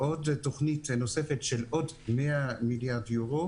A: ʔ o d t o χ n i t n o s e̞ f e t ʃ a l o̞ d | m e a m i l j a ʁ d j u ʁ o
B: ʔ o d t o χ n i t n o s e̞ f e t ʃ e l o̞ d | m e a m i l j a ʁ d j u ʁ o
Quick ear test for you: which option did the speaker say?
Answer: B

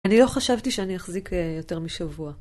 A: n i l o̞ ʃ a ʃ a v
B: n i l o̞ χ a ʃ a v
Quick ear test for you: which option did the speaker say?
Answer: B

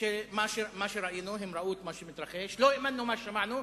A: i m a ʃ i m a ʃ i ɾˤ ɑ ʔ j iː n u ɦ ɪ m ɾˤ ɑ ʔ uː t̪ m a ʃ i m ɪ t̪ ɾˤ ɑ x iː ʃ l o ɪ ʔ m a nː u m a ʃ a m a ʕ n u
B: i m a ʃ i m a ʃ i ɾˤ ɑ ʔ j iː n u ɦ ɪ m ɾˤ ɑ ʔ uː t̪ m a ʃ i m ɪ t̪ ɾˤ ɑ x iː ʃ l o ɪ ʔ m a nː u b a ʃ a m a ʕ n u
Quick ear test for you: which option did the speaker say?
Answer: A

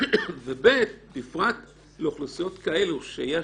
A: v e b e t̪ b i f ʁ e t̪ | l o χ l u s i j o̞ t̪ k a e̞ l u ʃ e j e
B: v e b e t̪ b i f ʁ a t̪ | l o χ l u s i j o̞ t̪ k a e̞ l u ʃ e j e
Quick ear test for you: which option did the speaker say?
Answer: B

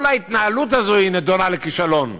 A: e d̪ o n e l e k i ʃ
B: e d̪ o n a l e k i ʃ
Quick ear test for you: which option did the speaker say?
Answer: B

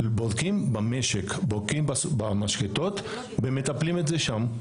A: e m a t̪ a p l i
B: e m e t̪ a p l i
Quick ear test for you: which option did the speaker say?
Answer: B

